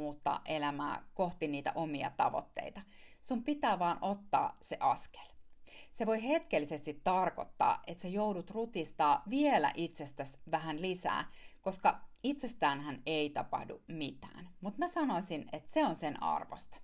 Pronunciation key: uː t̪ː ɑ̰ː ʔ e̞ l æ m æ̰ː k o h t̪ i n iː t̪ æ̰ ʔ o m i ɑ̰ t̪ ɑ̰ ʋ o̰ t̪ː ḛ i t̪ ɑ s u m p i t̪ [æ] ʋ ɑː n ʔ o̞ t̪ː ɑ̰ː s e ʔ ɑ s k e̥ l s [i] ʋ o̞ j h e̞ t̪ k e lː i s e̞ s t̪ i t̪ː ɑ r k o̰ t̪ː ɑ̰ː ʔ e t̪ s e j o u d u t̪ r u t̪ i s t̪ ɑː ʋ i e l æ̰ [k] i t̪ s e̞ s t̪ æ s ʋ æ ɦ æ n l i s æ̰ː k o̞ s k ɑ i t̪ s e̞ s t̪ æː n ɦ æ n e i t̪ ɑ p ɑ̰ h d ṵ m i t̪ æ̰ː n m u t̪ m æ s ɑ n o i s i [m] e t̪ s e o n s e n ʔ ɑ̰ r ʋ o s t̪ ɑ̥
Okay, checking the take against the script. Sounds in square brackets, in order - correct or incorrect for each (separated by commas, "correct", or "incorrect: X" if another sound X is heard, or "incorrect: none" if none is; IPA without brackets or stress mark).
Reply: incorrect: æː, incorrect: e, incorrect: ʔ, incorrect: n